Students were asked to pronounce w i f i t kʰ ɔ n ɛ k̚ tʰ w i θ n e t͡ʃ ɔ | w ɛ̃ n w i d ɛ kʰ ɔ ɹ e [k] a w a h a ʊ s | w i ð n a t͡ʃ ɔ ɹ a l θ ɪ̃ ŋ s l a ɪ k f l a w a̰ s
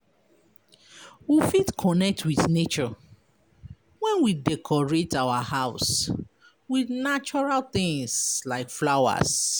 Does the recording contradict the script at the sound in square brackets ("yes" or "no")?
yes